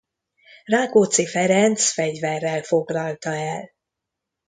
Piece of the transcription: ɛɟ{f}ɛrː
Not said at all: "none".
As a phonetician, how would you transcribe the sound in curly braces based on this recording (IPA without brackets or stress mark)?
v